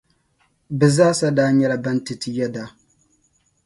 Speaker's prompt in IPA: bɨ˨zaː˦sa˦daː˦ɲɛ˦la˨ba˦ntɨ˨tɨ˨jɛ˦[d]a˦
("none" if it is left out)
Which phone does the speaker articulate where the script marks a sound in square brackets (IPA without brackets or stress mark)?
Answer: d